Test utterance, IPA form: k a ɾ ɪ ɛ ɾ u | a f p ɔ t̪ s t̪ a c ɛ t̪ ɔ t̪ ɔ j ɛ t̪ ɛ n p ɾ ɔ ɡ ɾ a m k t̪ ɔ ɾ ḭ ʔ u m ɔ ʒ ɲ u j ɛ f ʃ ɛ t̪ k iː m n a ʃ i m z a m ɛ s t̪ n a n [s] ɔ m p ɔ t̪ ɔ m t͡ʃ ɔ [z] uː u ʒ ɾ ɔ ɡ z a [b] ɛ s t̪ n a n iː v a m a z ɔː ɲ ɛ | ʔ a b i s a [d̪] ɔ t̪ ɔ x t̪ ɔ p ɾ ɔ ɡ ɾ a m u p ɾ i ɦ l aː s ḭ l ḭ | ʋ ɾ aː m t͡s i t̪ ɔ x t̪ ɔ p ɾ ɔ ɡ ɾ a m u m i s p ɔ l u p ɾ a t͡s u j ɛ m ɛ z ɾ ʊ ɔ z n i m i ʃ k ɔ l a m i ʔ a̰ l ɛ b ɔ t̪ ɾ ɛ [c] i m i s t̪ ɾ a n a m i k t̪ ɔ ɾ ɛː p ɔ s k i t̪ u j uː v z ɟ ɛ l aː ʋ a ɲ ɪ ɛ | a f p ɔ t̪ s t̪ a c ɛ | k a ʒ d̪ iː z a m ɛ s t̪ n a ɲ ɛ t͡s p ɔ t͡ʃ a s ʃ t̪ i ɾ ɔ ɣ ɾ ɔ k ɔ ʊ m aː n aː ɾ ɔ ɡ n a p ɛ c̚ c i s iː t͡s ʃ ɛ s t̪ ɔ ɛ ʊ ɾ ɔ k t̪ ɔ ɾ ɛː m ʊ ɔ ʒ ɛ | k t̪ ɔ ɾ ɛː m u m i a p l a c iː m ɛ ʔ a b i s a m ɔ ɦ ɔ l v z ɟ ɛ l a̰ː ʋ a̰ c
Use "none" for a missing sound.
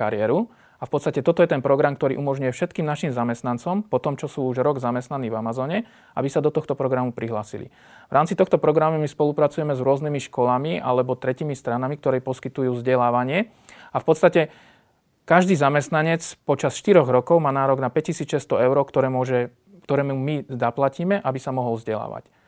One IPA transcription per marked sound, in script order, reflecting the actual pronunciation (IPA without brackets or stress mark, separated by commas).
t͡s, s, m, d̪, c